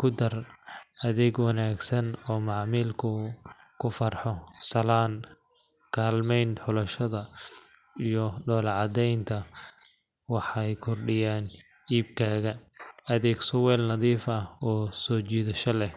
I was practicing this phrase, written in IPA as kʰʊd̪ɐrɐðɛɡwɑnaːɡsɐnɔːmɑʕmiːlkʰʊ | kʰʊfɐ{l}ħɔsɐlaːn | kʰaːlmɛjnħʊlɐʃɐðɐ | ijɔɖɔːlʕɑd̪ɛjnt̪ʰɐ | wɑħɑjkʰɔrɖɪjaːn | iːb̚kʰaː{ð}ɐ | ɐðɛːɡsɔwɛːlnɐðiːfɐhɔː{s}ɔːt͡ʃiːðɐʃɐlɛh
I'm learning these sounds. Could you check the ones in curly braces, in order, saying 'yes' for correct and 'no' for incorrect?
no, no, yes

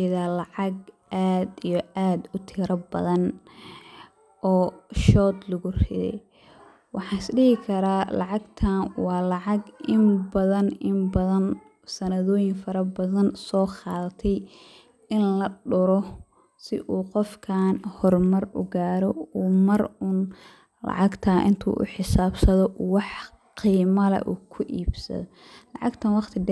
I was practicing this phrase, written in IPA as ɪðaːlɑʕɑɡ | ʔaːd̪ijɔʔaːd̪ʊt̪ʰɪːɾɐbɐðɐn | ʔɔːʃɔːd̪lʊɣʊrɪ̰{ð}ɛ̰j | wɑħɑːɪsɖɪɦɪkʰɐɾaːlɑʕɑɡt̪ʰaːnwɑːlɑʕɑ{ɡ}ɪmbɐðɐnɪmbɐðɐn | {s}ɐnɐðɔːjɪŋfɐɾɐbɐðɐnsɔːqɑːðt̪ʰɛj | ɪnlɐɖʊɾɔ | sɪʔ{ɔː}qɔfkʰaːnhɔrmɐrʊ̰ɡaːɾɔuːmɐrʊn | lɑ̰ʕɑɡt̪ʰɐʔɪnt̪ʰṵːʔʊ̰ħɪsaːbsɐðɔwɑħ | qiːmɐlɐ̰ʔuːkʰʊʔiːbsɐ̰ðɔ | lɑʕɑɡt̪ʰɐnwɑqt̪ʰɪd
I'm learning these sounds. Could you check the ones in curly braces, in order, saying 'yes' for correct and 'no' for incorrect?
yes, yes, yes, no

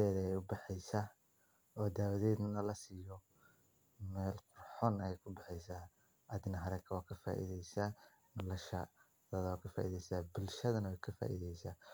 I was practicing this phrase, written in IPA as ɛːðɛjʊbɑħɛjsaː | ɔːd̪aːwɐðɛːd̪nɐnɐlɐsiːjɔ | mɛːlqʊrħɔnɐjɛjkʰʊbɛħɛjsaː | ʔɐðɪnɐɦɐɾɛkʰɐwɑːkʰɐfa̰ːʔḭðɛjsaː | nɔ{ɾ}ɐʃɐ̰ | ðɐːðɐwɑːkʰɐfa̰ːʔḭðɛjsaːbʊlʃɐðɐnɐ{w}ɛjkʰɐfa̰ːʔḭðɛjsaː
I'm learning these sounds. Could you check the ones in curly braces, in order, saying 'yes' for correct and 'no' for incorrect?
no, yes

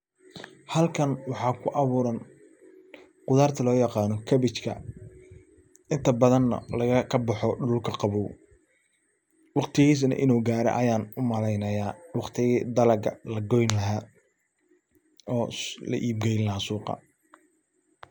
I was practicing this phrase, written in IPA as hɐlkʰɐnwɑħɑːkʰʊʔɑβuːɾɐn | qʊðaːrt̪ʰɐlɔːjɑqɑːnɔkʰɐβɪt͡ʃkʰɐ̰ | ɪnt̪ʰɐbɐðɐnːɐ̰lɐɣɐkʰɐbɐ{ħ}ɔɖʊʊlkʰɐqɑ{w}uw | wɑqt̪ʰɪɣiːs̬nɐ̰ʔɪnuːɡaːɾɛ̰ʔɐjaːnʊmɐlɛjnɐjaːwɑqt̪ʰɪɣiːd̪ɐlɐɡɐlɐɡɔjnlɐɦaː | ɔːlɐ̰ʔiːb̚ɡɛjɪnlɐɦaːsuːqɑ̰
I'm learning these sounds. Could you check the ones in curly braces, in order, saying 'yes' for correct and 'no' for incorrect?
yes, no

